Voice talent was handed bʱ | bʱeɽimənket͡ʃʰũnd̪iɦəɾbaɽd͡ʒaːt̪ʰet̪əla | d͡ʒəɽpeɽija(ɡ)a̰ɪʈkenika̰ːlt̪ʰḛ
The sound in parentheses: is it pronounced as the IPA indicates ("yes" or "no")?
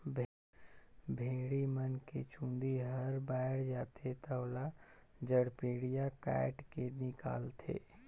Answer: no